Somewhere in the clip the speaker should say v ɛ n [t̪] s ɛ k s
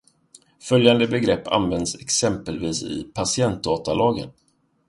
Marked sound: incorrect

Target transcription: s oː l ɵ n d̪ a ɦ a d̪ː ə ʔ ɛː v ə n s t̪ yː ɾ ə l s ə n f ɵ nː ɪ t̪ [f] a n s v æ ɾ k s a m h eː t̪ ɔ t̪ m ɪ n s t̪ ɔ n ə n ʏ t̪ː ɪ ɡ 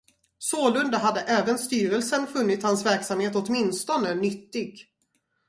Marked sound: incorrect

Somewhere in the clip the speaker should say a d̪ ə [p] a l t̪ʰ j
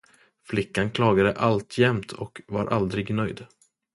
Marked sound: incorrect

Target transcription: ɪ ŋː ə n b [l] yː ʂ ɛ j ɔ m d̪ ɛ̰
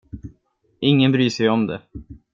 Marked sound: incorrect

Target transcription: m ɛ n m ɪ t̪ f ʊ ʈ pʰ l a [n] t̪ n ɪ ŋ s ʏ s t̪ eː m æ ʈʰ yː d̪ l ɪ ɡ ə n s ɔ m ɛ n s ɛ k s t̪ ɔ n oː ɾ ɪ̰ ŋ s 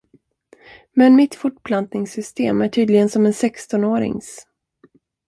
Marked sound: correct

